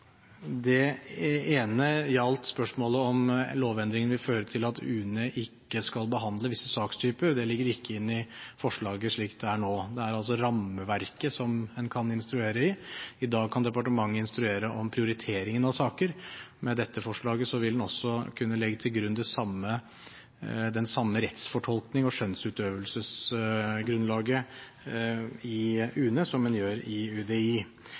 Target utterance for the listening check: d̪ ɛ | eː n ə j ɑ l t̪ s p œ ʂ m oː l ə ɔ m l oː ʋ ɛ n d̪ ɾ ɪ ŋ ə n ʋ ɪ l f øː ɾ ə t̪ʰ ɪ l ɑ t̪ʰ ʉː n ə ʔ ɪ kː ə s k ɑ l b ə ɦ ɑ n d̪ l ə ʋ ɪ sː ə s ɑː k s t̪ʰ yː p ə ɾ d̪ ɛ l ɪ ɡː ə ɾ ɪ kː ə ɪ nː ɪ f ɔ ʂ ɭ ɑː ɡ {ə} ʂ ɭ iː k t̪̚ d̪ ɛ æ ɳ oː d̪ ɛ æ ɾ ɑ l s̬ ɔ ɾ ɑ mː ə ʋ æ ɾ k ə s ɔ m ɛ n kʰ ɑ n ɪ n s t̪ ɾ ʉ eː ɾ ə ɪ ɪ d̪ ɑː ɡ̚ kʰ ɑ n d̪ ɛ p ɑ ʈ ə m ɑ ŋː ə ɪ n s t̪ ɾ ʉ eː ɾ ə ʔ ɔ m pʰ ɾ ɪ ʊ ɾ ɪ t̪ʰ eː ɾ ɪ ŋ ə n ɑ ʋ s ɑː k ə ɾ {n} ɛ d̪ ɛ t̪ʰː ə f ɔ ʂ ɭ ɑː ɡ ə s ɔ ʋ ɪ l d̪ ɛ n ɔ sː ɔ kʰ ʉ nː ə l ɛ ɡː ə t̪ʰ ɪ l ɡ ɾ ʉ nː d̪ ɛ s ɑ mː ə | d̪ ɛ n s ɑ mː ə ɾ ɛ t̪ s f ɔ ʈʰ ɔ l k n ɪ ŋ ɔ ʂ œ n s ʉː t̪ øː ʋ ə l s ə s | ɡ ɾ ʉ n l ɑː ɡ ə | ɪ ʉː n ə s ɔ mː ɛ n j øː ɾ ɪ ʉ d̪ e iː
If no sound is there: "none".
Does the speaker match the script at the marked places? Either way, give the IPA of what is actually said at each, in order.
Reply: ə, m

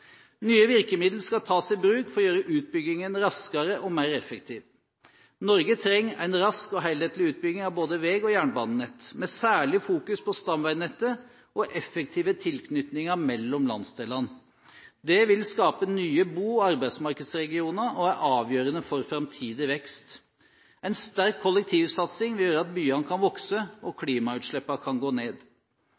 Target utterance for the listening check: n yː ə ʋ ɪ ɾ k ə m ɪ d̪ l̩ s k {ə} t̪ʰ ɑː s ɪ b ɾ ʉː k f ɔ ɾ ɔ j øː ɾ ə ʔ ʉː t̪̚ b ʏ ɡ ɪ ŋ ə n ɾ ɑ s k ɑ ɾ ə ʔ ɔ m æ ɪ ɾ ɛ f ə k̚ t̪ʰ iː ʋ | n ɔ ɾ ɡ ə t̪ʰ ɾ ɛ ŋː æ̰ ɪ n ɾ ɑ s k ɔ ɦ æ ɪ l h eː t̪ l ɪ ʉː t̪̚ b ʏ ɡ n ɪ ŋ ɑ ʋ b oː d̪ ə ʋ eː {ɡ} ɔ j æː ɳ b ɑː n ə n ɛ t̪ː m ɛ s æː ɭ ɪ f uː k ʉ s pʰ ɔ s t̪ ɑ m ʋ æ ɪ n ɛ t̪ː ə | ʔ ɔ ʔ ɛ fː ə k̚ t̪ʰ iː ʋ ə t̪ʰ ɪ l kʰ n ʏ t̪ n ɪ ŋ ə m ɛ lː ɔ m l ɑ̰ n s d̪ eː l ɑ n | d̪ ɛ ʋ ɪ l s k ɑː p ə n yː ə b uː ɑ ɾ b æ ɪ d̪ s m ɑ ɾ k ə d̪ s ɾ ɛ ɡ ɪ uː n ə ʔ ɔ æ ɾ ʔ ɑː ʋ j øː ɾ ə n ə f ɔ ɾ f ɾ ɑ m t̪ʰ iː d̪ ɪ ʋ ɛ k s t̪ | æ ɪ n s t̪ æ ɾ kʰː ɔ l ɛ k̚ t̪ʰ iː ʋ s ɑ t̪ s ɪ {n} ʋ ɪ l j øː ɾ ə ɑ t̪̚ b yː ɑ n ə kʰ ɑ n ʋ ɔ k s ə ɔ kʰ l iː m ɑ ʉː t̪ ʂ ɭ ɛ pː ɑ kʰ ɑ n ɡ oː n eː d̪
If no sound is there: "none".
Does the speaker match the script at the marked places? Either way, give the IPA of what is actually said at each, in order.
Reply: ɑ, ɡ, ŋ

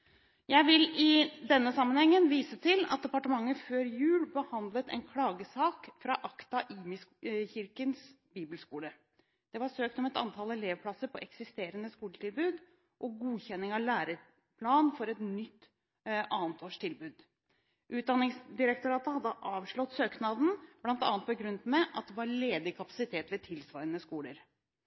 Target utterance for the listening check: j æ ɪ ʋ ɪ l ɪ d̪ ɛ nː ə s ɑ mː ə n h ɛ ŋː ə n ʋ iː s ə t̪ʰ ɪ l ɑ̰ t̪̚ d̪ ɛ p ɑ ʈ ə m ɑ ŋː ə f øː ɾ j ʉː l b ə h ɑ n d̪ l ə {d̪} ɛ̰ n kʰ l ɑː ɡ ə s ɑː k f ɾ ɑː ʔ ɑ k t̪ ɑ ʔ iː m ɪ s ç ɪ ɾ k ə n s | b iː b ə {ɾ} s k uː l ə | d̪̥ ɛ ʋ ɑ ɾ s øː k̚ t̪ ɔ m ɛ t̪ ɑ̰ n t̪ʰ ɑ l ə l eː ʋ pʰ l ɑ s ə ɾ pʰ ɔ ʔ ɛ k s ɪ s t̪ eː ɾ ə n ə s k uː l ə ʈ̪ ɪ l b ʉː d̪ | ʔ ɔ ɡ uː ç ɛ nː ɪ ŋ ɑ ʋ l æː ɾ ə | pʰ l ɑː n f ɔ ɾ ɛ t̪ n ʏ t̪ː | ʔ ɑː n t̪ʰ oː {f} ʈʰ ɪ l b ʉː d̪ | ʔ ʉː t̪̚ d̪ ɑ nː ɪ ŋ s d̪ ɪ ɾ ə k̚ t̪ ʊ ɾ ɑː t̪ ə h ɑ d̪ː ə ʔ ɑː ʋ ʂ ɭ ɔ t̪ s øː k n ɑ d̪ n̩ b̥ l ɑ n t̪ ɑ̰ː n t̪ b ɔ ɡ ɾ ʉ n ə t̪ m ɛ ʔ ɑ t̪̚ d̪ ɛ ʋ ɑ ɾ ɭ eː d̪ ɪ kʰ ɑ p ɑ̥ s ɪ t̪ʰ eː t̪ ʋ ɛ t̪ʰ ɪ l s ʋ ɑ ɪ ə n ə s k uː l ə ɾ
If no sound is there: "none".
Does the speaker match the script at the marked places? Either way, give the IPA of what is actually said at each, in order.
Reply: t̪, l, ʂ

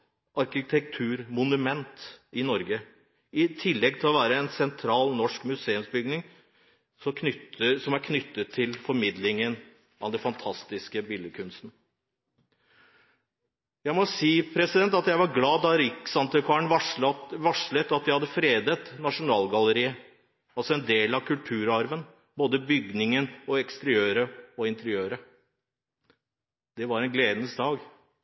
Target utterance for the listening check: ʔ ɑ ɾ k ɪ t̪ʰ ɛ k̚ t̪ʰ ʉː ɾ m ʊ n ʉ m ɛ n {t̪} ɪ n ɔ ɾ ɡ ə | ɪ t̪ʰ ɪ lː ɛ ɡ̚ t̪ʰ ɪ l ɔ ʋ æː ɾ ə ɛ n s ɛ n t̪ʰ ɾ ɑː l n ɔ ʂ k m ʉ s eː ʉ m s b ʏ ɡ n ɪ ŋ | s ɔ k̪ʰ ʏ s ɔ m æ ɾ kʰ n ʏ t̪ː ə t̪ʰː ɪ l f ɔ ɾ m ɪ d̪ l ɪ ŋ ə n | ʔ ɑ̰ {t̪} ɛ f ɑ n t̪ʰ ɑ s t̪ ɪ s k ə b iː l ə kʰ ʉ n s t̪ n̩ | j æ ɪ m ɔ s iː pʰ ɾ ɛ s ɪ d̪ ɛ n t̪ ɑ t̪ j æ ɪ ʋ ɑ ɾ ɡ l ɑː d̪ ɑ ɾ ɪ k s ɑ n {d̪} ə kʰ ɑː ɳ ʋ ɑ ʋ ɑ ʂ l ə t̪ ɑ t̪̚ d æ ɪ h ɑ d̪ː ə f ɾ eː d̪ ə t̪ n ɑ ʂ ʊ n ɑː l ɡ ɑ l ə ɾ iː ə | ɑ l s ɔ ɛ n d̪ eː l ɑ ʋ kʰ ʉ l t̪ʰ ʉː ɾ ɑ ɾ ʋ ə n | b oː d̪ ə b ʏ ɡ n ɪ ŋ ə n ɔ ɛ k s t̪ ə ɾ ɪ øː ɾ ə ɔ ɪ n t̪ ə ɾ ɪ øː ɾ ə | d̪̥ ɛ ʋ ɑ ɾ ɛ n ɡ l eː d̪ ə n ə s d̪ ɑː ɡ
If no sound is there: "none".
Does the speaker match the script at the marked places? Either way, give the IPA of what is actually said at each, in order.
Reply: t̪, d̪, t̪

